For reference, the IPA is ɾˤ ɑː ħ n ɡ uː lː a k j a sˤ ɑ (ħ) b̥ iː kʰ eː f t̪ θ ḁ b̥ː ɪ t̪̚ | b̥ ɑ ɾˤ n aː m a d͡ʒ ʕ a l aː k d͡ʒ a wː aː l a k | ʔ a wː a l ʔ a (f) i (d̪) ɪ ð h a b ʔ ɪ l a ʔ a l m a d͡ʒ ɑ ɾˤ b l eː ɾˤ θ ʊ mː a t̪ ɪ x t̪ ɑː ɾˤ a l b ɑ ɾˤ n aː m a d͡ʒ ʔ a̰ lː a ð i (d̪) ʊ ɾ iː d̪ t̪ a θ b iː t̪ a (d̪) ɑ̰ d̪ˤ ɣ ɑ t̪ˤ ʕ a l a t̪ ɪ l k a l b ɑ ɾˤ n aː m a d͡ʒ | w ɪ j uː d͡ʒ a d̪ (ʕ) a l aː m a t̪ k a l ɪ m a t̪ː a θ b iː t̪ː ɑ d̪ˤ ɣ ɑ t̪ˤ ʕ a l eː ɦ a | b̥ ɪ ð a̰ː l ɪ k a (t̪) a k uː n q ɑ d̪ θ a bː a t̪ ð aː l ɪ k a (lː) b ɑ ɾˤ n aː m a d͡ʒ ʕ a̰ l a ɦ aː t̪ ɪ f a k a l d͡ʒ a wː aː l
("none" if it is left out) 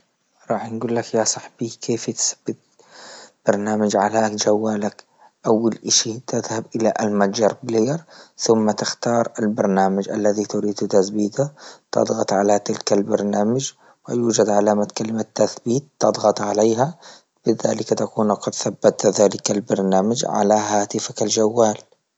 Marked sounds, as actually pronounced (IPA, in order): ħ, ʃ, t̪, t̪, t̪, ʕ, t̪, l

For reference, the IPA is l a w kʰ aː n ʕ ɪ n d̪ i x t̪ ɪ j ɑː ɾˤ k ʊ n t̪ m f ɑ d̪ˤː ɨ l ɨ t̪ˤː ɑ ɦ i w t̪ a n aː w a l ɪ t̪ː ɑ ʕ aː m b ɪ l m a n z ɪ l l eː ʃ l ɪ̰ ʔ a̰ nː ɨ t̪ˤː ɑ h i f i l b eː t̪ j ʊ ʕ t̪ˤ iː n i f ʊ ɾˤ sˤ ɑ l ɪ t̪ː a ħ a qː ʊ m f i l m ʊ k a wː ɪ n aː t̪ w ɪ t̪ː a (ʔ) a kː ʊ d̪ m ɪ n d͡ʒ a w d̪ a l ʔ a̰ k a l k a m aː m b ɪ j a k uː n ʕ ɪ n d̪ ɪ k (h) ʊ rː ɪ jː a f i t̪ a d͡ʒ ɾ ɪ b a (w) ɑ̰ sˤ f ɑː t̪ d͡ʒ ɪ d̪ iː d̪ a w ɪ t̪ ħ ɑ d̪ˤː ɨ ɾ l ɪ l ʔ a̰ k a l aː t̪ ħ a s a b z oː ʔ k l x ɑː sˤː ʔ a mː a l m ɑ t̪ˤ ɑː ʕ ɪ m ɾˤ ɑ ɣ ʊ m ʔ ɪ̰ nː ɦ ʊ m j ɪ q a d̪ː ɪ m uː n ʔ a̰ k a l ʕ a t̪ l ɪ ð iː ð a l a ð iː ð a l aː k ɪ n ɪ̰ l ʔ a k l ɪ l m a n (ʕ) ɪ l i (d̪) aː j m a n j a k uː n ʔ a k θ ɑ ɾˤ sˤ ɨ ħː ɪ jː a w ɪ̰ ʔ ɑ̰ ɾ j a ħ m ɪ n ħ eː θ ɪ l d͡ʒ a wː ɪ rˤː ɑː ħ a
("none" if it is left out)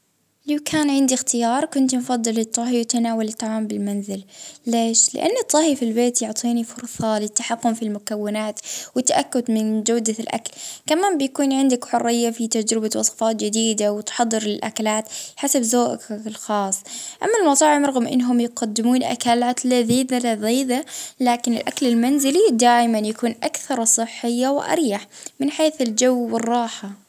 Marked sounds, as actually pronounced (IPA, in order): ʔ, ħ, w, z, d̪

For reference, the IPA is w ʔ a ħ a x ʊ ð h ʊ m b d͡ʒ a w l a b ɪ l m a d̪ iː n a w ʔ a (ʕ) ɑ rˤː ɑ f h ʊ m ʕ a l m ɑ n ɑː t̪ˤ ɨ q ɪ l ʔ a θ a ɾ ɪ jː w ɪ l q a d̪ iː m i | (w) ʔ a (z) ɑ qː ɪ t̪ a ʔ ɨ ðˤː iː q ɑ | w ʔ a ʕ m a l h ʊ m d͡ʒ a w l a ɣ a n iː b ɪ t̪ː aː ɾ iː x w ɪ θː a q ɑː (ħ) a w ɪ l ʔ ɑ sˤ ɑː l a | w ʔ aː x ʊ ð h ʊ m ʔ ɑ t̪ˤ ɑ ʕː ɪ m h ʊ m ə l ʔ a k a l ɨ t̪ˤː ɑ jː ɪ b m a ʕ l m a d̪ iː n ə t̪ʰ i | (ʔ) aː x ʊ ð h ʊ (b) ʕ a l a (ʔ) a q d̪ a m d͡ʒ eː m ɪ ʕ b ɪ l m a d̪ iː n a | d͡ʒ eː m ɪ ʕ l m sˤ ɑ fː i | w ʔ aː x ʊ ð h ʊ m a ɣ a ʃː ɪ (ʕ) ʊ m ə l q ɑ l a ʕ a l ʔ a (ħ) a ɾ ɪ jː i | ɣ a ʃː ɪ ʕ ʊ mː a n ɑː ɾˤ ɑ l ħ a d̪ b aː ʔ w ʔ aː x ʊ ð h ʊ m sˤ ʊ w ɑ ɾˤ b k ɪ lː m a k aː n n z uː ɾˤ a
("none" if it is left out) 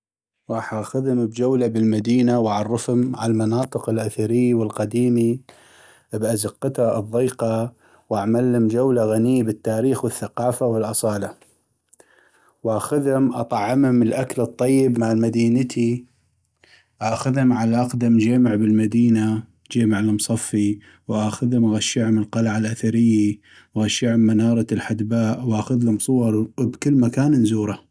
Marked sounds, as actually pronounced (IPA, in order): ʕ, b, z, f, ʔ, m, ʔ, ʕ, θ

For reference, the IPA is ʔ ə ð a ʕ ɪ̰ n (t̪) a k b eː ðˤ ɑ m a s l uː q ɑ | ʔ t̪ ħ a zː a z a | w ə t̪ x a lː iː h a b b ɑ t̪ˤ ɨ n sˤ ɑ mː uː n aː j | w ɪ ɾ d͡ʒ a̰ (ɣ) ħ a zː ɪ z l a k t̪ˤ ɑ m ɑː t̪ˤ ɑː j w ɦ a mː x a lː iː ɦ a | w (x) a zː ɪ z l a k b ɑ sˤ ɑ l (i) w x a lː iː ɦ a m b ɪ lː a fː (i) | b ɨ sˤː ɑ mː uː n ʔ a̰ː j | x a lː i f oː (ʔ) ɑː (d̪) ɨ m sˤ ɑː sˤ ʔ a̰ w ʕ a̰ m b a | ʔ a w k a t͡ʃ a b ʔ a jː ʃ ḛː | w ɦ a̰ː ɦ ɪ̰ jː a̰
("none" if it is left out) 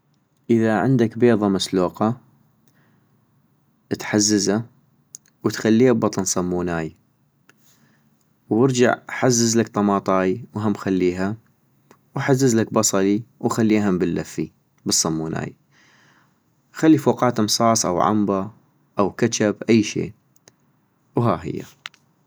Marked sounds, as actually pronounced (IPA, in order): d̪, ʕ, ħ, i, i, q, t̪

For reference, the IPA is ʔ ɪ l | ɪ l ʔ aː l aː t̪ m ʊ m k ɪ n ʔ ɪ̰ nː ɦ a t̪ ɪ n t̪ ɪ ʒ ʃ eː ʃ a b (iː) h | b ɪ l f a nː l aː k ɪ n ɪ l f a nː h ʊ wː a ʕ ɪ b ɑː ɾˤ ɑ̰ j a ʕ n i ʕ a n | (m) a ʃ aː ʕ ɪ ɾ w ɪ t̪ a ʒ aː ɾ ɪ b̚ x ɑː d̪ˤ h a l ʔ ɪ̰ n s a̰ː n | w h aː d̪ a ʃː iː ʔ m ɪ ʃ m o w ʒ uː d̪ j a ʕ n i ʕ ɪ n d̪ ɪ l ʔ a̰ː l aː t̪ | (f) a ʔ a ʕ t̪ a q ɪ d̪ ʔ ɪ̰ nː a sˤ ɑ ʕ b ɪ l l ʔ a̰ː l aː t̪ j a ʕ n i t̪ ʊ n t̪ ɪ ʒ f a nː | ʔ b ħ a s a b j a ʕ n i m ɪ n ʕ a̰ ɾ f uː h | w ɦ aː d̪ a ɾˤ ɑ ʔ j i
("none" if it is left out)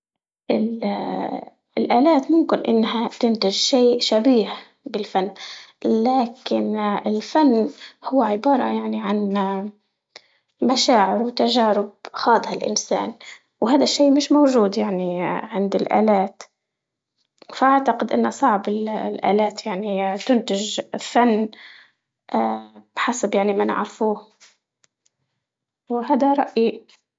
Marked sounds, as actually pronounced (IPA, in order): iː, m, f

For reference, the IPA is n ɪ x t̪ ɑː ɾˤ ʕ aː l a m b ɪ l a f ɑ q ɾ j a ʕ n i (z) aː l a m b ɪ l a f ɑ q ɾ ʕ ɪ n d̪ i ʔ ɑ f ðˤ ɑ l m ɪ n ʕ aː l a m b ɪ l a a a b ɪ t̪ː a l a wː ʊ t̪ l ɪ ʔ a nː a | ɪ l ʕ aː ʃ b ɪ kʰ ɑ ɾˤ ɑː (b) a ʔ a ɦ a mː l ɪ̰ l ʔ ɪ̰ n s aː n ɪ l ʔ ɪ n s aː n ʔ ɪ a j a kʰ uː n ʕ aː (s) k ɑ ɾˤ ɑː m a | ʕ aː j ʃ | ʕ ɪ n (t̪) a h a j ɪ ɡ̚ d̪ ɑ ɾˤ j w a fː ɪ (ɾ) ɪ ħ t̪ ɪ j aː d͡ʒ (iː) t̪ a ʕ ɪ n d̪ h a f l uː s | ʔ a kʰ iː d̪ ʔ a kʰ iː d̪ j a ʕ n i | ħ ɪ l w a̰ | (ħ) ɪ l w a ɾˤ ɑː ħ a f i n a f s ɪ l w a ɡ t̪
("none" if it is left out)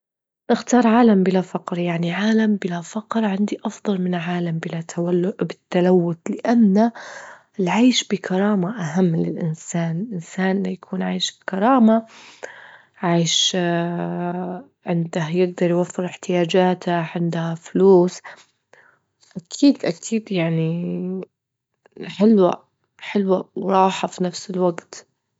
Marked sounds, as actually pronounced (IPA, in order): ʕ, m, ʃ, d̪, ɾ, aː, ħ

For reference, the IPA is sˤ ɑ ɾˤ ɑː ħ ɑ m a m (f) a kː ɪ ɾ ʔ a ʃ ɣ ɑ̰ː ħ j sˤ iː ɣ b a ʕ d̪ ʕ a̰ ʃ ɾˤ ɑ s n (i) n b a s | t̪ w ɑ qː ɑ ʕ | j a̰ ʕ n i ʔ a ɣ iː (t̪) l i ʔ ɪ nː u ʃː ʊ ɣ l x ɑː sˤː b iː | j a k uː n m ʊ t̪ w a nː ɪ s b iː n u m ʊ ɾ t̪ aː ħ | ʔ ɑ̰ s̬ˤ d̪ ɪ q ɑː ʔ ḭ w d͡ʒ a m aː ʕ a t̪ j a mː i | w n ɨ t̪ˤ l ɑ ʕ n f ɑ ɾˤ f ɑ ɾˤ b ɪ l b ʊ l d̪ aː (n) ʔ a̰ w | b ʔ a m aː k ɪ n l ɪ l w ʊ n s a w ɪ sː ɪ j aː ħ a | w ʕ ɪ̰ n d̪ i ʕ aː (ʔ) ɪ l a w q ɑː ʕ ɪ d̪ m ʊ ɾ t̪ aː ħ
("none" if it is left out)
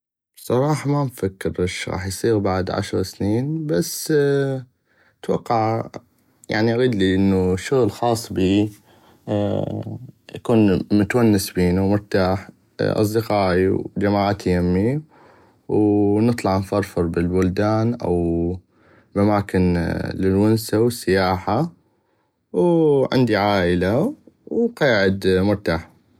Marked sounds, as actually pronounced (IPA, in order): f, iː, d̪, n, ʔ

